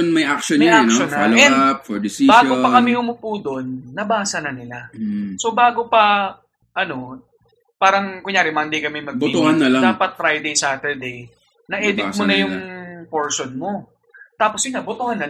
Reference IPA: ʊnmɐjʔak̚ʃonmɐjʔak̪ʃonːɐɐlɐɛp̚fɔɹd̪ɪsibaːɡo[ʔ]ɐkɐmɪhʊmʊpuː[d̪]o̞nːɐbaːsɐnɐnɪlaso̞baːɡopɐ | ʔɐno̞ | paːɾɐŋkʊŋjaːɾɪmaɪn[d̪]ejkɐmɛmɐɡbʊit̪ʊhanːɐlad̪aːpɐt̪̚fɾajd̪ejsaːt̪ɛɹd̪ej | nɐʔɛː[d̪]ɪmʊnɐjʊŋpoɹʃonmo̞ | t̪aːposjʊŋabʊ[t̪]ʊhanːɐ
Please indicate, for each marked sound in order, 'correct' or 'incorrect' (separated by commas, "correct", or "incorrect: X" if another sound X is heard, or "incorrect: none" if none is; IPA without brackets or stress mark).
incorrect: p, correct, correct, correct, correct